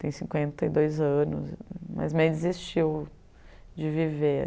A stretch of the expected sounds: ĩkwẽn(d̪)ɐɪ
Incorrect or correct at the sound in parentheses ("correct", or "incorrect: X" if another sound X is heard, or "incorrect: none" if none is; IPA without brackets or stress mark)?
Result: incorrect: t̪